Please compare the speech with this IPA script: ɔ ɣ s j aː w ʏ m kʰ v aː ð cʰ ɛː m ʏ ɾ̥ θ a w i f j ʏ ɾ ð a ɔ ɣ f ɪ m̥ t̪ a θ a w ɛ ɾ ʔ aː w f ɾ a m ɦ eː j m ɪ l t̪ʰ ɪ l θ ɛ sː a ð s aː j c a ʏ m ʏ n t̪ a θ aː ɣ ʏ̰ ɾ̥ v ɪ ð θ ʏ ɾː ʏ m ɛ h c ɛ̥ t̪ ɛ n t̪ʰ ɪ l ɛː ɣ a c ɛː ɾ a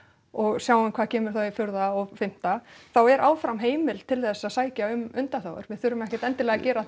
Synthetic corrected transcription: ɔ ɣ s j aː w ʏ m kʰ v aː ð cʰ ɛː m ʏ ɾ̥ θ a w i f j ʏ ɾ ð a ɔ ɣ f ɪ m̥ t̪ a θ a w ɛ ɾ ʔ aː w f ɾ a m ɦ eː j m ɪ l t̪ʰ ɪ l θ ɛ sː a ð s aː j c a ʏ m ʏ n t̪ a θ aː w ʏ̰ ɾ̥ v ɪ ð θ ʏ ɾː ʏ m ɛ h c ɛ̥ t̪ ɛ n t̪ ɪ l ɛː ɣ a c ɛː ɾ a